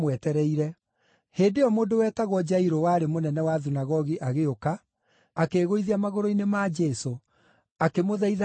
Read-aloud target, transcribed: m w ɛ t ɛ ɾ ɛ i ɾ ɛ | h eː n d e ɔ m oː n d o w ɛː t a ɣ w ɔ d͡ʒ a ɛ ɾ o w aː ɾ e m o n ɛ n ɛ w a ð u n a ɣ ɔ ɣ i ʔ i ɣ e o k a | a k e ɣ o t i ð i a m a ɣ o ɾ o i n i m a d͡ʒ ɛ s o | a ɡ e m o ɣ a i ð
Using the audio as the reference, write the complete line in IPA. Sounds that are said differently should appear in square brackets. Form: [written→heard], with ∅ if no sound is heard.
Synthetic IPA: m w ɛ t ɛ ɾ ɛ i ɾ ɛ | h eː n d e ɔ m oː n d o w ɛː t a ɣ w ɔ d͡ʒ a [ɛ→i] ɾ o w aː ɾ e m o n ɛ n ɛ w a ð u n a ɣ ɔ ɣ i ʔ [i→a] ɣ e o k a | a k e ɣ o [t→∅] i ð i a m a ɣ o ɾ o i n [i→e] m a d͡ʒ ɛ s o | a [ɡ→k] e m o [ɣ→ð] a i ð